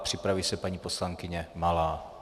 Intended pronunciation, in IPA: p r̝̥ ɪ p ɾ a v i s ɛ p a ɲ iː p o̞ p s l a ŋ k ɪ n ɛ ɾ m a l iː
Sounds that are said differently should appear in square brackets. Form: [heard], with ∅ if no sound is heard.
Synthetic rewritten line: p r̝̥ ɪ p ɾ a v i s ɛ p a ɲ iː p o̞ [∅] s l a ŋ k ɪ [ɲ] ɛ [∅] m a l [aː]